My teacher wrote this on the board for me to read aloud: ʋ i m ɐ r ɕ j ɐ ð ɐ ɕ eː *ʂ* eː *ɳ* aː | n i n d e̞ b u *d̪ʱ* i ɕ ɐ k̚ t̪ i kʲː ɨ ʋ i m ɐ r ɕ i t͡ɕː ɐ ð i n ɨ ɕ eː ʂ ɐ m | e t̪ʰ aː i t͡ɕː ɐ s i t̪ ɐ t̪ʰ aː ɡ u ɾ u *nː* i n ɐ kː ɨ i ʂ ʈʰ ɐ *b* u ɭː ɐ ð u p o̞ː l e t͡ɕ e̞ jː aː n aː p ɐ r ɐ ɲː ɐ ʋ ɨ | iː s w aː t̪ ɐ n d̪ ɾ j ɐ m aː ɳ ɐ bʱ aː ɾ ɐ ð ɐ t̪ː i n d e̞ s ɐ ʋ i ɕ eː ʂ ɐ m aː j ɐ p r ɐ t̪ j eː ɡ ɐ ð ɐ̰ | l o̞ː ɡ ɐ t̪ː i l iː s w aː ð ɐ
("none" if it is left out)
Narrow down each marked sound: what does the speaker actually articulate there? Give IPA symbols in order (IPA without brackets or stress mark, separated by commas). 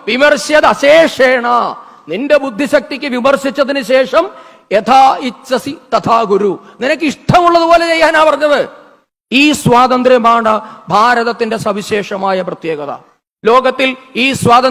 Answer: ʂ, ɳ, d̪ʱː, n, m